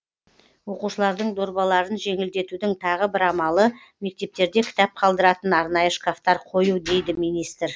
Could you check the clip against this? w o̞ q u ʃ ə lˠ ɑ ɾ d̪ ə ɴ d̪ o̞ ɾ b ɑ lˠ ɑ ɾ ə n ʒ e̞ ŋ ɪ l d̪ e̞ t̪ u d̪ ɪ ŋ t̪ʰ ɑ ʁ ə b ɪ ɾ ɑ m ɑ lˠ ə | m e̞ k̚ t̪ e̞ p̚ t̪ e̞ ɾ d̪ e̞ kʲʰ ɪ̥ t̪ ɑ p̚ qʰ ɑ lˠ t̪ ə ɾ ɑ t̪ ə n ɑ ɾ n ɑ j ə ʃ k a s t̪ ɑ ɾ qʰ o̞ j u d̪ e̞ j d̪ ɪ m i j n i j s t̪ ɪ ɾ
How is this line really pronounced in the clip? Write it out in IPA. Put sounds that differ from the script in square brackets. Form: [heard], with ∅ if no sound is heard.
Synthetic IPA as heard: w o̞ q u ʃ ə lˠ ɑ ɾ d̪ ə ɴ d̪ o̞ ɾ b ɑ lˠ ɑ ɾ ə n ʒ e̞ ŋ ɪ l d̪ e̞ t̪ u d̪ ɪ ŋ t̪ʰ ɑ ʁ ə b ɪ ɾ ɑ m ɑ lˠ ə | m e̞ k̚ t̪ e̞ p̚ t̪ e̞ ɾ d̪ e̞ kʲʰ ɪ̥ t̪ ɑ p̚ qʰ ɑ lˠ [d̪] ə ɾ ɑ t̪ ə n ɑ ɾ n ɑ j ə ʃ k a [f] t̪ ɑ ɾ qʰ o̞ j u d̪ e̞ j d̪ ɪ m i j n i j s t̪ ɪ ɾ